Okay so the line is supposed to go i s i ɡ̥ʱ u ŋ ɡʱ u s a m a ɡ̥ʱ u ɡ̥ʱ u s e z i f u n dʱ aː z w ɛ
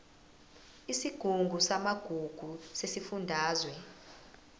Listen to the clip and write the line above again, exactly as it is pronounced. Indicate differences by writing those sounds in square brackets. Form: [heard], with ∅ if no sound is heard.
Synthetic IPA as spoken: i s i ɡ̥ʱ u ŋ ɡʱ u s a m a ɡ̥ʱ u ɡ̥ʱ u s e [s] i f u n dʱ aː z w ɛ